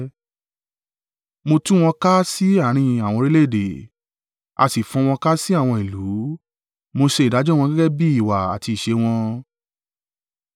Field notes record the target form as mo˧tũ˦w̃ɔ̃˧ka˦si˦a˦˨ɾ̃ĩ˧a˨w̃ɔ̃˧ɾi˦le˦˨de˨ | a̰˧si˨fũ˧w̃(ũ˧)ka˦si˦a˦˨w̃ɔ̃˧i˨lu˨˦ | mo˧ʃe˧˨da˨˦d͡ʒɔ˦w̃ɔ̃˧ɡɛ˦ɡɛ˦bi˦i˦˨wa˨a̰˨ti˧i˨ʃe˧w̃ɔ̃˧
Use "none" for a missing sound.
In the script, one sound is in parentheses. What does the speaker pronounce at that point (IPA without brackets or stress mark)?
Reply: ɔ̃˧